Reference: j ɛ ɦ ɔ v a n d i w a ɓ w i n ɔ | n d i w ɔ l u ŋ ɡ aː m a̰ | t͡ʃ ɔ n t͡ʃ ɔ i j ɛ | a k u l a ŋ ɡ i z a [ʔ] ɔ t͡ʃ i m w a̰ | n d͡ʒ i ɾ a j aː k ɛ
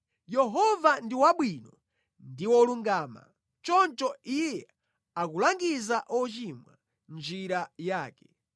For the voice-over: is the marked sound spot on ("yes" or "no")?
yes